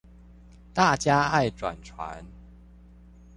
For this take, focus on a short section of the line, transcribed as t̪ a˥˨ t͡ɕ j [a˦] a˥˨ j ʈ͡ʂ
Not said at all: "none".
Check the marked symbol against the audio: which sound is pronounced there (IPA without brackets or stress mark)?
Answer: a˦